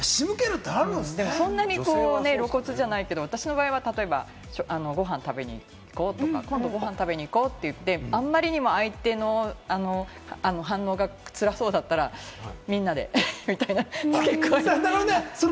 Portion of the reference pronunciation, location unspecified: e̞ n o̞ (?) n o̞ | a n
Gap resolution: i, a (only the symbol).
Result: a